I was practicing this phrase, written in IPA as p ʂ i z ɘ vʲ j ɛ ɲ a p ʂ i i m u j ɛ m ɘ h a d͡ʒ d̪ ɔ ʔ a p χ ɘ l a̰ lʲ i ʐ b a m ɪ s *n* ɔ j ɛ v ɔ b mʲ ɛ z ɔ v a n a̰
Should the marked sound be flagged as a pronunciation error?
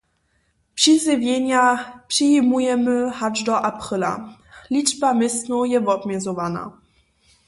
no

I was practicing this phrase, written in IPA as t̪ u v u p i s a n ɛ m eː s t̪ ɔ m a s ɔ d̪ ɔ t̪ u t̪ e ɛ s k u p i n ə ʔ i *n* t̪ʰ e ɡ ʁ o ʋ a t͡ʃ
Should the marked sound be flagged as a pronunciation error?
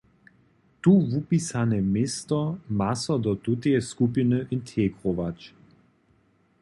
no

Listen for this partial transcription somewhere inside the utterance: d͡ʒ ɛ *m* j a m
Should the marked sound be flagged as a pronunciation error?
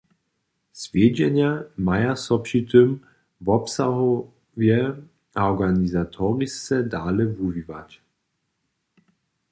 yes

